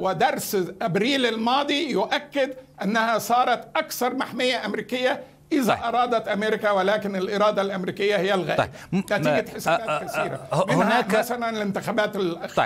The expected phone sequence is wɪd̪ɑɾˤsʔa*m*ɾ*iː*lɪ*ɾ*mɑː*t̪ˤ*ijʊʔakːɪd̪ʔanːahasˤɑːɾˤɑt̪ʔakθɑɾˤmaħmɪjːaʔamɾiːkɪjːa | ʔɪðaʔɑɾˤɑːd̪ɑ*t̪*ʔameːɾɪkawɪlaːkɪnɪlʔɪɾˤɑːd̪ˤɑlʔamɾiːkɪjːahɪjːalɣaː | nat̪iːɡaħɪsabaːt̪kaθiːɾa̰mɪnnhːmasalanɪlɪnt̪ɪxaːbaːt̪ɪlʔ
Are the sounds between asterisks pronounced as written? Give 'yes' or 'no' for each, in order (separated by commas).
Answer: no, yes, no, no, yes